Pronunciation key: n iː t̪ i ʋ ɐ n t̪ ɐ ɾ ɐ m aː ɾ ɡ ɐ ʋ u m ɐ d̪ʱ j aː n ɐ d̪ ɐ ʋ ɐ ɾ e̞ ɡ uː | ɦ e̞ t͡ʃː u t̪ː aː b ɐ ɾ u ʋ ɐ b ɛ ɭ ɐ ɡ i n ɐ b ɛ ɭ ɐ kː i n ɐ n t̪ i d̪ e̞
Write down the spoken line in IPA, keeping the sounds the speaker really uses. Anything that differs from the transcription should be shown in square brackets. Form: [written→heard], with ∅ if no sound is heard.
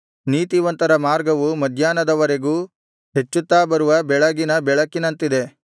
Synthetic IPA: n iː t̪ i ʋ ɐ n t̪ ɐ ɾ ɐ m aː ɾ ɡ ɐ ʋ u m ɐ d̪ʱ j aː n ɐ d̪ ɐ ʋ ɐ ɾ e̞ ɡ uː | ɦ e̞ t͡ʃː u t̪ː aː b ɐ ɾ u ʋ ɐ b ɛ ɭ ɐ ɡ i n ɐ b ɛ ɭ ɐ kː i n ɐ n t̪ i d̪ e̞